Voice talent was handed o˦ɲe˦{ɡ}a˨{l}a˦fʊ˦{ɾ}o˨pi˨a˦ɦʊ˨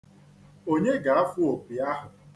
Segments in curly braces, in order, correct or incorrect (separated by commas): correct, incorrect, incorrect